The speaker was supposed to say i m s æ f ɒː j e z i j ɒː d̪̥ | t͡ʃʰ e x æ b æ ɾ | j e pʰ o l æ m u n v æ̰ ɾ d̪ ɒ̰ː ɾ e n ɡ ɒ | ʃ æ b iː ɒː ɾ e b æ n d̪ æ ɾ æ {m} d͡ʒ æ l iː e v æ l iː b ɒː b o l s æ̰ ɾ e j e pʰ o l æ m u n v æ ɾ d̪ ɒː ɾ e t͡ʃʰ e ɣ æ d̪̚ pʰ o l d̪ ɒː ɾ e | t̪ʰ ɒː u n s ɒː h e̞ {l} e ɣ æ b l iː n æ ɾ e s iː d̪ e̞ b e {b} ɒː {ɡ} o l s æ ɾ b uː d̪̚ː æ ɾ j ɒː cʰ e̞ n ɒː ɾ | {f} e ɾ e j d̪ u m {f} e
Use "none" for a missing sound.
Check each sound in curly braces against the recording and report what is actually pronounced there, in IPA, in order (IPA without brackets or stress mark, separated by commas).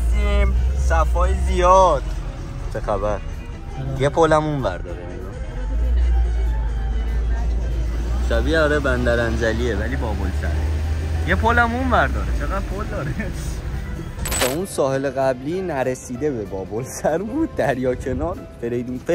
n, l, b, b, f, f